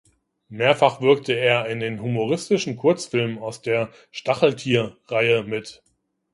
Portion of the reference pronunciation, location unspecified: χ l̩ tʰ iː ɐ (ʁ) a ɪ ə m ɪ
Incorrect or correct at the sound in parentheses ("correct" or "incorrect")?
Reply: correct